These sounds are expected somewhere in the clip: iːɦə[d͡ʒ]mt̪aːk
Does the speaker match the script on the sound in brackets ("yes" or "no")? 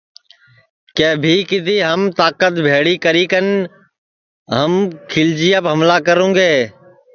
no